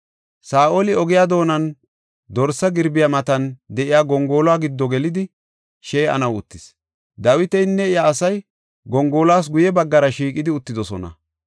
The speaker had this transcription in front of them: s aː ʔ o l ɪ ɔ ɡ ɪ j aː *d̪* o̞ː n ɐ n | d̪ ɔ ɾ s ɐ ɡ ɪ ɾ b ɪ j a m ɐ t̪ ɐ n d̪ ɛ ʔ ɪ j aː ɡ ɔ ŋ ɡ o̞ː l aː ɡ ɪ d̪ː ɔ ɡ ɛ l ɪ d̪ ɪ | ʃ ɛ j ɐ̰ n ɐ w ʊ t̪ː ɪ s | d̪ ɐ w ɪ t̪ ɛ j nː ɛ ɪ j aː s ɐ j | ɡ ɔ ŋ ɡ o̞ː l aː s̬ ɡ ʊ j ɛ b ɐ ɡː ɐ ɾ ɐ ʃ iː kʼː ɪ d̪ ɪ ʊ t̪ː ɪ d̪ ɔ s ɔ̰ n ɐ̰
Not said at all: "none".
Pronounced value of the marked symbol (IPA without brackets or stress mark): d̪